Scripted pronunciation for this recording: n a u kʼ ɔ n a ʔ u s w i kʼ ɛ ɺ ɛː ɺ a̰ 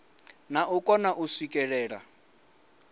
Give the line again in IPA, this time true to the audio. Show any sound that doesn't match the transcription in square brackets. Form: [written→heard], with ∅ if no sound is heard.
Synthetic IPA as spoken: n a u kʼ ɔ n a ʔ u s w i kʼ ɛ ɺ ɛː ɺ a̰